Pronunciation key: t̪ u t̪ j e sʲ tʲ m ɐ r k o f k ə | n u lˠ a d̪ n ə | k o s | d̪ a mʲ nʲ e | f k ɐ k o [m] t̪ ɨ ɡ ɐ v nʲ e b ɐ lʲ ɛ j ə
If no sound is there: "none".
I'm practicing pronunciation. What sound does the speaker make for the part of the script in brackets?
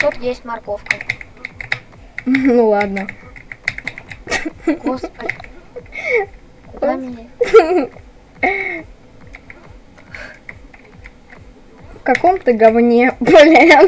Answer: m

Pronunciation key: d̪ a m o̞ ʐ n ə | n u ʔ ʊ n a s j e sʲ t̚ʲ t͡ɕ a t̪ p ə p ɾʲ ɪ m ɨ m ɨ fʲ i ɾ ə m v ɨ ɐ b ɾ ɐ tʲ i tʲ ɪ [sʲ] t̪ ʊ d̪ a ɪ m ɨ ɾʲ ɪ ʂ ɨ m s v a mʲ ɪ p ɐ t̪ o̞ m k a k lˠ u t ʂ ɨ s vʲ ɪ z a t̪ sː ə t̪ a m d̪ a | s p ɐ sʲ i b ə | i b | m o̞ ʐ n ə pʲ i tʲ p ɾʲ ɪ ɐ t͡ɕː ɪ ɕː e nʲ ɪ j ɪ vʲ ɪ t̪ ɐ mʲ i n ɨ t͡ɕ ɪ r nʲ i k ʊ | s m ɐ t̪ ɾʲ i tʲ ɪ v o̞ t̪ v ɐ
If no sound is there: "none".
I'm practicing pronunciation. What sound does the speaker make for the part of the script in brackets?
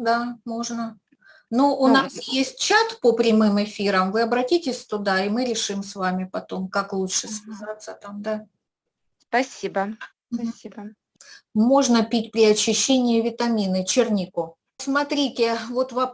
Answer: sʲ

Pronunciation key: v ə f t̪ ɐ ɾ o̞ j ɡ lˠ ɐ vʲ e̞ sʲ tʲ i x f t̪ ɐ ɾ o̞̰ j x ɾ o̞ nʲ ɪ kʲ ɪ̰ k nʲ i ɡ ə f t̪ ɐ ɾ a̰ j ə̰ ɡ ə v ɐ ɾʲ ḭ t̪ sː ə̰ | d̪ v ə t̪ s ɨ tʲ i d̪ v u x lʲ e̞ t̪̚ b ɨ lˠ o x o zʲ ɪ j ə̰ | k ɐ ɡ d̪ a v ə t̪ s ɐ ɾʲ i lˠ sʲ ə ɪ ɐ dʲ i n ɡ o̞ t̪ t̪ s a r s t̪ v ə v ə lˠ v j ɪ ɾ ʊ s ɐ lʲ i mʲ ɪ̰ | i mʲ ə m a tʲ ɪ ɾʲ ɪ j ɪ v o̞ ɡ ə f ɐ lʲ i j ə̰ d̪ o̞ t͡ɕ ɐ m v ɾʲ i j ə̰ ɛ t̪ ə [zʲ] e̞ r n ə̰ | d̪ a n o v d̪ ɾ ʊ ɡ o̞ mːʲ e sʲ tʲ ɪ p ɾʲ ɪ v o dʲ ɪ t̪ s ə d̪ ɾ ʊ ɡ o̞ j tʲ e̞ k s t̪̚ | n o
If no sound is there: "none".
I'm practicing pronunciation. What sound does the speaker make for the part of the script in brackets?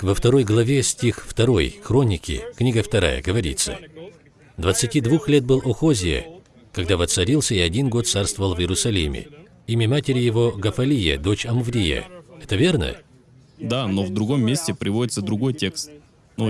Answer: vʲ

